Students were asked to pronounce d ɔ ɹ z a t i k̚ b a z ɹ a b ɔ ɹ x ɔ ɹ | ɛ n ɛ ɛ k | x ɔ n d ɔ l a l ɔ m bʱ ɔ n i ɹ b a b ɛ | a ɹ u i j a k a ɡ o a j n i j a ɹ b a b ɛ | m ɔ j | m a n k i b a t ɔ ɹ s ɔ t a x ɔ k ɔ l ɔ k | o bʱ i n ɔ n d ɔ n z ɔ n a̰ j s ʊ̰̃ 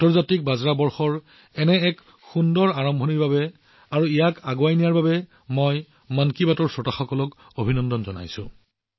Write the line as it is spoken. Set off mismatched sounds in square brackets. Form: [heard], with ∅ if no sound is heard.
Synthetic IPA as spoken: [t] ɔ ɹ z a t i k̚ b a z ɹ a b ɔ ɹ x ɔ ɹ | ɛ n ɛ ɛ k | x [u] n d ɔ [ɹ] a [ɹ] ɔ m bʱ ɔ n i ɹ b a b ɛ | a ɹ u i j a k a ɡ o a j n i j a ɹ b a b ɛ | m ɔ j | m a n k i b a t ɔ ɹ s ɔ t a x ɔ k ɔ l ɔ k | o bʱ i n ɔ n d ɔ n z ɔ n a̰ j s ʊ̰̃